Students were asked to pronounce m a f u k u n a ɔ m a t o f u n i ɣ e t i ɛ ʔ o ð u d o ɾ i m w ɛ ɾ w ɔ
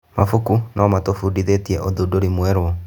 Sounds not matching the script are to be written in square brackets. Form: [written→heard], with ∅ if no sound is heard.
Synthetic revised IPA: m a f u k u n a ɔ m a t o f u [n→d] i [ɣ→ð] e t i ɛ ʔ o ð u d o ɾ i m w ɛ ɾ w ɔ